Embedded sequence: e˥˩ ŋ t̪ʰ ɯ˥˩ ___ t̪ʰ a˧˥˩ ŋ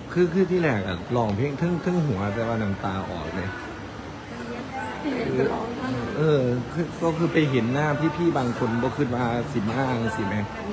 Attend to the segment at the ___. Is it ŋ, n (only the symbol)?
ŋ